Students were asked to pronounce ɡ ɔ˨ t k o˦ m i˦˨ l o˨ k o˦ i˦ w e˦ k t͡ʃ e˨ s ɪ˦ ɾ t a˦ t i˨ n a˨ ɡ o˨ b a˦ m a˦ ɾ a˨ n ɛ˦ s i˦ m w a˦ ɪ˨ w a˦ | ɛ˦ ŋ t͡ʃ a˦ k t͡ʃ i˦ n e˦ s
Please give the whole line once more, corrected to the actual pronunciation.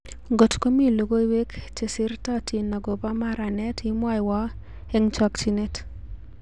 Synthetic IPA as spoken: ɡ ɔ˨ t k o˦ m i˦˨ l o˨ ɡ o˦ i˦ w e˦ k t͡ʃ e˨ s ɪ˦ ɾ t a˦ t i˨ n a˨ ɡ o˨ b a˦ m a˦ ɾ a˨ n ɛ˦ t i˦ m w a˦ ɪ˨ w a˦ | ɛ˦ ŋ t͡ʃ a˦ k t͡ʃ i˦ n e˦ t